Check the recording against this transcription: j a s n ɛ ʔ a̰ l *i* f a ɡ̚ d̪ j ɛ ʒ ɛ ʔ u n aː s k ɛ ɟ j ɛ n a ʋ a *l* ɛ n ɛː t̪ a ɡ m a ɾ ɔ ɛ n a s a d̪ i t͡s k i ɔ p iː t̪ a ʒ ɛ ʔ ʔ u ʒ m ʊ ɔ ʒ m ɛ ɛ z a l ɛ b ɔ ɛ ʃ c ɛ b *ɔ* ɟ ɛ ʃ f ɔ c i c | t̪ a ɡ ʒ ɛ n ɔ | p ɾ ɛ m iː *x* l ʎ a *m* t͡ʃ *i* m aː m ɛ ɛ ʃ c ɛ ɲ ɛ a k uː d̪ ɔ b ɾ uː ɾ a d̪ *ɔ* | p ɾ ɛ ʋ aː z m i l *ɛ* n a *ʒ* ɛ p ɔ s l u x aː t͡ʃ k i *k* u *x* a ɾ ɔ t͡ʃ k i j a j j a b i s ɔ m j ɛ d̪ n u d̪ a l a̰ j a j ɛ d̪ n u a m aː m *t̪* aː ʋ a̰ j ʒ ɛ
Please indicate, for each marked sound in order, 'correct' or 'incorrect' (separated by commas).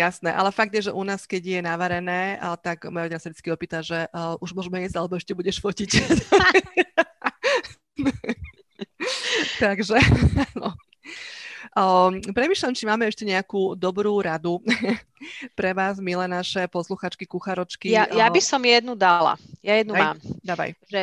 incorrect, incorrect, incorrect, incorrect, correct, correct, incorrect, correct, incorrect, correct, correct, incorrect